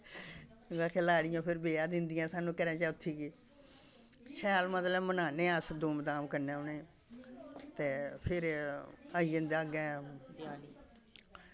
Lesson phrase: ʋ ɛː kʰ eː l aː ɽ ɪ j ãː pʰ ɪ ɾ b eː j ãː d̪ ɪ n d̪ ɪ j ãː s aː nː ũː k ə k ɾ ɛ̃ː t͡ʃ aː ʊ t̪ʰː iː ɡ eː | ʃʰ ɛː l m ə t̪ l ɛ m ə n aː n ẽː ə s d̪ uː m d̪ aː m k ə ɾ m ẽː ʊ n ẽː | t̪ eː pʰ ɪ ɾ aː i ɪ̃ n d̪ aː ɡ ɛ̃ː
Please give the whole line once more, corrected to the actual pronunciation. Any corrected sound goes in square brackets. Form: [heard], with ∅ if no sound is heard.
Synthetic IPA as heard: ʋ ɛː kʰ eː l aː ɽ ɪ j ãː pʰ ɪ ɾ b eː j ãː d̪ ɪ n d̪ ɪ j ãː s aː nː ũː k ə [∅] ɾ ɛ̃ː t͡ʃ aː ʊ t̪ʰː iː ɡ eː | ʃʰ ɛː l m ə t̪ l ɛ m ə n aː n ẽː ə s d̪ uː m d̪ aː m k ə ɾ [n] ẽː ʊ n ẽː | t̪ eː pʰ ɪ ɾ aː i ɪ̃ n d̪ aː ɡ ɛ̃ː